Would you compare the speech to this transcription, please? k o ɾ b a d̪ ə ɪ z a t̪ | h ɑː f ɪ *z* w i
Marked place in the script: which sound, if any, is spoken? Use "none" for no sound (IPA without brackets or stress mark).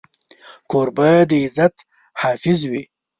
z